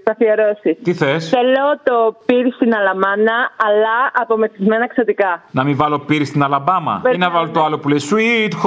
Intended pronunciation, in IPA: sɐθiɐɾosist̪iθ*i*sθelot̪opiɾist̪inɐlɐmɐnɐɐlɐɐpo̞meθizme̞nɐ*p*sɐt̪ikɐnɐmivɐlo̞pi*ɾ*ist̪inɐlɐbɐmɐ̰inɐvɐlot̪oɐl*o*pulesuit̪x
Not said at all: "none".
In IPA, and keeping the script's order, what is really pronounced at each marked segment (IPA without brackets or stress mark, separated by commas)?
e, k, ɾ, o